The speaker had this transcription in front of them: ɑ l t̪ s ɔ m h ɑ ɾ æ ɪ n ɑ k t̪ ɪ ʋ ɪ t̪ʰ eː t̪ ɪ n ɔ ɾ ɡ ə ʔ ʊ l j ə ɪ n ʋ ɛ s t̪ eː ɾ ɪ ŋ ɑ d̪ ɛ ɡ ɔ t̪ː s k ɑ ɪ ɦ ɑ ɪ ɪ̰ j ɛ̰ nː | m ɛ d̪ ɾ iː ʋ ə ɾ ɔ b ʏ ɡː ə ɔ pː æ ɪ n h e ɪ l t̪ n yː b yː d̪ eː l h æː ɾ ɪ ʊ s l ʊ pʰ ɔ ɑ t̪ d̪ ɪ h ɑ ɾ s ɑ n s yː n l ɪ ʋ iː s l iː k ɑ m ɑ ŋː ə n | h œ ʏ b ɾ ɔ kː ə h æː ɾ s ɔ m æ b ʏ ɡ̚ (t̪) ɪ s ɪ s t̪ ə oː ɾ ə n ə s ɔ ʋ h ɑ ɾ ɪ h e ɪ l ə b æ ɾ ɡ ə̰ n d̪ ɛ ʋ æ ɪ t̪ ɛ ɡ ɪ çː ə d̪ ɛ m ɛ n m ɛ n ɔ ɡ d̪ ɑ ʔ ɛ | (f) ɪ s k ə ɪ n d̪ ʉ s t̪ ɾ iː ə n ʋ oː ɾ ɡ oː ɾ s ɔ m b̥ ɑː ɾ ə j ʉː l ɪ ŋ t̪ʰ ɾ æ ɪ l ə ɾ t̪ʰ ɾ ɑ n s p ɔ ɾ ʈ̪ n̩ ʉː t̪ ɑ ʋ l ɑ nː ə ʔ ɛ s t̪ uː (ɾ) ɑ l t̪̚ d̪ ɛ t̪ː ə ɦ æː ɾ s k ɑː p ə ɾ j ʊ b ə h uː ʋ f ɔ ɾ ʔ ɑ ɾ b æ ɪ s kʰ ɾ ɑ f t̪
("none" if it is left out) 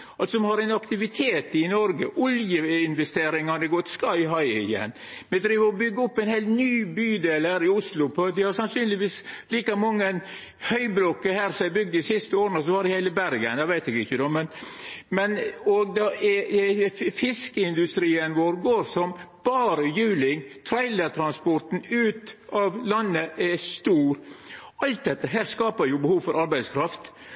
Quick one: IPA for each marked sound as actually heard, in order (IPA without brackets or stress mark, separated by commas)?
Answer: d̪, f, ɾ